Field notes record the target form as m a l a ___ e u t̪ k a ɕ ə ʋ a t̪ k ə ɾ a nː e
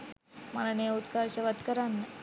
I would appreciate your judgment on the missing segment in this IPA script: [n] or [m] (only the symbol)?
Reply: n